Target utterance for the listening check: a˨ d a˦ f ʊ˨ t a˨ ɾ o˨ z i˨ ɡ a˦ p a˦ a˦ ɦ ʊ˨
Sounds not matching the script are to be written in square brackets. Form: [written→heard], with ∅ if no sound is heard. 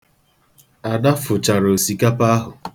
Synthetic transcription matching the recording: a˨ d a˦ f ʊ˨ [t→t͡ʃ] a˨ ɾ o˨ [z→s] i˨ [ɡ→k] a˦ p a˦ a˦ ɦ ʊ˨